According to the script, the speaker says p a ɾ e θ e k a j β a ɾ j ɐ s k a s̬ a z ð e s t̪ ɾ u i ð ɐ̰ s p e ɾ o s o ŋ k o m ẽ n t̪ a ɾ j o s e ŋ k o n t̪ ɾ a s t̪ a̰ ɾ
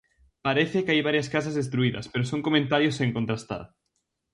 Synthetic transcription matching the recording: p a ɾ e θ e k a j β a ɾ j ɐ s k a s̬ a z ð e s t̪ ɾ u i ð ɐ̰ s p e ɾ o s o ŋ k o m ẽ n t̪ a ɾ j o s e ŋ k o n t̪ ɾ a s t̪ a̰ ɾ